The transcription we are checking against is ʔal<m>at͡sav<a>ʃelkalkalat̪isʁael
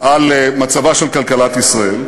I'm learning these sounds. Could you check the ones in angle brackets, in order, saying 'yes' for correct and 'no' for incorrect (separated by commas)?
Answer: yes, yes